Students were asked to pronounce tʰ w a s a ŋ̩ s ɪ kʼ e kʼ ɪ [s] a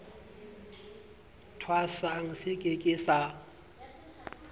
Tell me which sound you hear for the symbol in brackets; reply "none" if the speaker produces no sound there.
s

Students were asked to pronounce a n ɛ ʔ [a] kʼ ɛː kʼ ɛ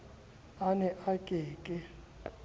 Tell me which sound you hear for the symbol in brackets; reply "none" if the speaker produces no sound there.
a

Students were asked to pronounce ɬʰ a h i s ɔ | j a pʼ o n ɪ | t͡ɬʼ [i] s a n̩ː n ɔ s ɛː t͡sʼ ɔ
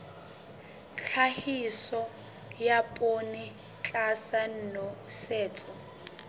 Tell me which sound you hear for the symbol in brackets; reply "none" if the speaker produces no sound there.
a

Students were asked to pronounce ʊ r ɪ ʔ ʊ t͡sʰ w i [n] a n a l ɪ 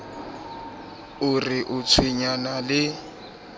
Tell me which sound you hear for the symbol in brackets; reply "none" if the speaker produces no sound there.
ɲ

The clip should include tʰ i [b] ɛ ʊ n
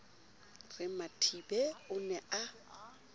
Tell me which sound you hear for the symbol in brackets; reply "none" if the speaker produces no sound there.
b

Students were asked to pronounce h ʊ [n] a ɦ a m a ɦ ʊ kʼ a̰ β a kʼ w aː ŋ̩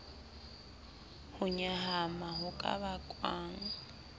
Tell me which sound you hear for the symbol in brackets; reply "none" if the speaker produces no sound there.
ɲ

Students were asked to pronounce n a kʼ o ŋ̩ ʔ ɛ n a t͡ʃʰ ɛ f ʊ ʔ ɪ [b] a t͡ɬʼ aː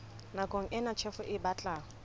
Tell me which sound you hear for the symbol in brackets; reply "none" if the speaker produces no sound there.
b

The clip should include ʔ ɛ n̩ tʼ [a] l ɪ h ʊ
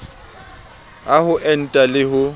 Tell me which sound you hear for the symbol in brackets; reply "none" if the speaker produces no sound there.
a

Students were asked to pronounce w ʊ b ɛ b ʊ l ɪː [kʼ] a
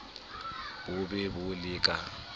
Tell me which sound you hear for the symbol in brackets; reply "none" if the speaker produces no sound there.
kʼ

